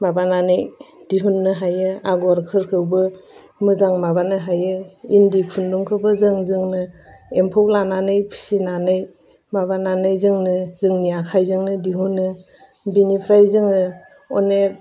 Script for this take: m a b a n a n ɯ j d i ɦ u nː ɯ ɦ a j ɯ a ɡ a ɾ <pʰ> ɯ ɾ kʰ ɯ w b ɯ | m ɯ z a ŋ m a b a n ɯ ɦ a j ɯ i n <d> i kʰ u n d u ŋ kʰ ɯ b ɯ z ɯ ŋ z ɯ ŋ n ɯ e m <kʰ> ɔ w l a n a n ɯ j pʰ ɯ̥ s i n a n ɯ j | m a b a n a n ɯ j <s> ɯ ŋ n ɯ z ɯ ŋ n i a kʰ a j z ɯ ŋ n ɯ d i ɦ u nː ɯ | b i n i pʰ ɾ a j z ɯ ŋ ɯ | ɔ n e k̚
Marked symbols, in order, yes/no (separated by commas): no, yes, no, no